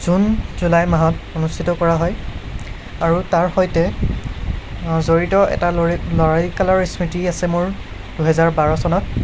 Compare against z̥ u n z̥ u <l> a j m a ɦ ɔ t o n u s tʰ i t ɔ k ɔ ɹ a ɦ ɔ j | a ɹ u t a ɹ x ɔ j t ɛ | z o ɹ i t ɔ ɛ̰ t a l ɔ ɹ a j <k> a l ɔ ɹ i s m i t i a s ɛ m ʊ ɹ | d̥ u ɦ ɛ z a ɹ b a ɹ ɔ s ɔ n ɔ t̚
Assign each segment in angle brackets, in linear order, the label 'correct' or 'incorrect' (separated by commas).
correct, correct